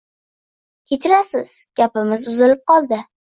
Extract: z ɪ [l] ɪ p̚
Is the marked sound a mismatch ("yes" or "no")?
no